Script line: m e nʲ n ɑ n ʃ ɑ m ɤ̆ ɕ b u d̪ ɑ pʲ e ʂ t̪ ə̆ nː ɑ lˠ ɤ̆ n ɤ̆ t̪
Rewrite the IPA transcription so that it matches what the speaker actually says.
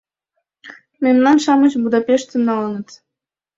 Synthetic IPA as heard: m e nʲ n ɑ n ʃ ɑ m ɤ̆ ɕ b u d̪ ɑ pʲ e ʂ t̪ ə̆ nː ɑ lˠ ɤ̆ n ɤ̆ t̪